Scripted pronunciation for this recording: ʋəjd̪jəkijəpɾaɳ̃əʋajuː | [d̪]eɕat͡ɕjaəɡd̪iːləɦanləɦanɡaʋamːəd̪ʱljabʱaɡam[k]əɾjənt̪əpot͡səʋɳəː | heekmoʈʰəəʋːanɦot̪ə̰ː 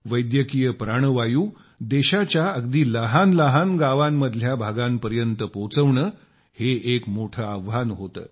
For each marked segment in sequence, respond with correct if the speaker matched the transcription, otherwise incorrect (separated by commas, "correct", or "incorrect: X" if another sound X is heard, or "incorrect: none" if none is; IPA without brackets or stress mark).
correct, incorrect: p